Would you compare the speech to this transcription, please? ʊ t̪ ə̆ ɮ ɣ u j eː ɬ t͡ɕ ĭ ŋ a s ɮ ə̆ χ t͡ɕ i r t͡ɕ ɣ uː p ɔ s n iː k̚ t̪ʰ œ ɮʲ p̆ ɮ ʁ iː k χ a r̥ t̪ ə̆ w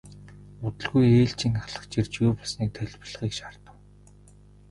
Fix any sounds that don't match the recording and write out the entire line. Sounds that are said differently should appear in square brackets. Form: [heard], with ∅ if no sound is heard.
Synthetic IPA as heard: ʊ t̪ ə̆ ɮ ɣ u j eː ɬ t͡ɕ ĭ ŋ a [χ] ɮ ə̆ χ t͡ɕ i r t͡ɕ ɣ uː p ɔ s n iː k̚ t̪ʰ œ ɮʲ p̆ ɮ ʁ iː k [ʃ] a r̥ t̪ ə̆ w